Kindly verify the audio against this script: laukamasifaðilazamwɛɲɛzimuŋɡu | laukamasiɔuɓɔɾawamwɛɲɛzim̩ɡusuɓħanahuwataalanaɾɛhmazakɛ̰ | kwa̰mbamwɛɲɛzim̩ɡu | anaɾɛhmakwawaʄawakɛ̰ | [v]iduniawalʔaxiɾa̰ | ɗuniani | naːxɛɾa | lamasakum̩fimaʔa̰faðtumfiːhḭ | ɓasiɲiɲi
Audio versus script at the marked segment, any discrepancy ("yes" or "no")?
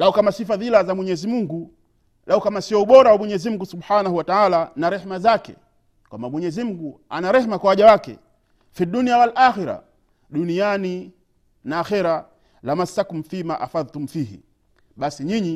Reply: yes